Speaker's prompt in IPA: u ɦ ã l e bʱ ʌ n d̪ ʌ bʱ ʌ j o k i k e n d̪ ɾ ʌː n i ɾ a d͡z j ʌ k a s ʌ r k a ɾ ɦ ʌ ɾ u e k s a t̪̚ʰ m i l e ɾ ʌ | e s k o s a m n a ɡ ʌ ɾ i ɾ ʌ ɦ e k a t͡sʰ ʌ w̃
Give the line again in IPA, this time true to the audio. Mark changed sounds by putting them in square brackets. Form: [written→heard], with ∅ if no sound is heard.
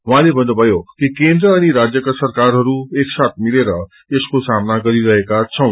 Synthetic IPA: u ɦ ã l e bʱ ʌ n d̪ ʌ bʱ ʌ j o k i k e n d̪ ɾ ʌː n i ɾ a d͡z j ʌ k a s ʌ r k a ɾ ɦ ʌ ɾ u e k s a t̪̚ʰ m i l e ɾ ʌ | e s k o s a m n a ɡ ʌ ɾ i ɾ ʌ ɦ e k a t͡sʰ ʌ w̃